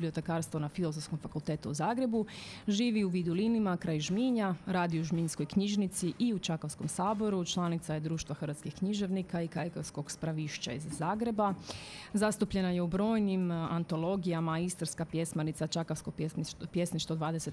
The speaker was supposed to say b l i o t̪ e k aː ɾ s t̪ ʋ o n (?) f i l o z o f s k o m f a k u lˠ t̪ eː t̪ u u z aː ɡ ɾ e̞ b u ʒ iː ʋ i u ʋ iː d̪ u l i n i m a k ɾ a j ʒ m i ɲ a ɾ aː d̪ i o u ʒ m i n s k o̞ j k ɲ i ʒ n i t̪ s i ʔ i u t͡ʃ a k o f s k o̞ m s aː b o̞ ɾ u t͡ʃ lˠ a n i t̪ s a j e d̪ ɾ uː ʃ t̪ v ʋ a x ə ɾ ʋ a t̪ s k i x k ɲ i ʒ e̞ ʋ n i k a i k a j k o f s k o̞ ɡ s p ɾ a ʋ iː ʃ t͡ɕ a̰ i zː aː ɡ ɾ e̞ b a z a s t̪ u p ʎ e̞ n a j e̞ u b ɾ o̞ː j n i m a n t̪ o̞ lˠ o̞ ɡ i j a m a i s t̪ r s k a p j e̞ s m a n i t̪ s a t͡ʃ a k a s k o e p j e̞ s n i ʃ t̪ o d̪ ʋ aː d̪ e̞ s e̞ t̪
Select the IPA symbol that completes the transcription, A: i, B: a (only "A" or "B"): B